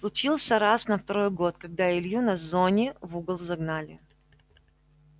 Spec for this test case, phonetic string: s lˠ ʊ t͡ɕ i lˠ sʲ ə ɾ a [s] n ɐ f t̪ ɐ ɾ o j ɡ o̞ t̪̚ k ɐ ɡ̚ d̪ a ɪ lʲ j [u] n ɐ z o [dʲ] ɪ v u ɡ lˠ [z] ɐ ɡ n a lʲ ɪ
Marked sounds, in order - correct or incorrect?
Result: correct, correct, incorrect: nʲ, correct

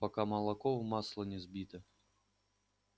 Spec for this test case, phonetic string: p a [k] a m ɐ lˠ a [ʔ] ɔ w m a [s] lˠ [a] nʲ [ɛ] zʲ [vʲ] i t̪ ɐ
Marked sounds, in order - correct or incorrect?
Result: correct, incorrect: k, correct, incorrect: ɐ, correct, incorrect: bʲ

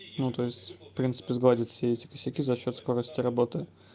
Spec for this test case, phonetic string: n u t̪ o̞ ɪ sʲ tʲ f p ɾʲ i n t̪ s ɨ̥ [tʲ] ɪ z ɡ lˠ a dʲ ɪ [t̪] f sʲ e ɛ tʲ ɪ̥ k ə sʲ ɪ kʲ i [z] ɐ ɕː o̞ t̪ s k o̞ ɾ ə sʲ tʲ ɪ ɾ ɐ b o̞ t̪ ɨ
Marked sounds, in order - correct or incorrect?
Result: incorrect: pʲ, correct, correct

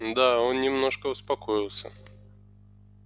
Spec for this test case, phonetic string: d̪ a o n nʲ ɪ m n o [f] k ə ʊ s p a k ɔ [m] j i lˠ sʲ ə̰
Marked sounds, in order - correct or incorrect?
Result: incorrect: ʂ, incorrect: none

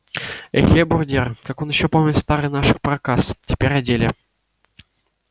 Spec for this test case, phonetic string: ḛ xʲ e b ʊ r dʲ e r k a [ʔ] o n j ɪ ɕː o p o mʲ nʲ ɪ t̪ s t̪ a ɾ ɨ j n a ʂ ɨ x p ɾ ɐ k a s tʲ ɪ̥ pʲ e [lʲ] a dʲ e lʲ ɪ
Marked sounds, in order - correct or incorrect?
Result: incorrect: k, incorrect: ɾʲ

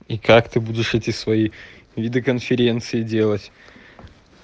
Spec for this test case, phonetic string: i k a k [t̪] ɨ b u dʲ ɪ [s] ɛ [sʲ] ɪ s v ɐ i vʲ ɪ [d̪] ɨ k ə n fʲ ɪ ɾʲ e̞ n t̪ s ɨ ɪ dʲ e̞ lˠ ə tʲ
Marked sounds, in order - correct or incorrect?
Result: correct, incorrect: ʂ, incorrect: tʲ, correct

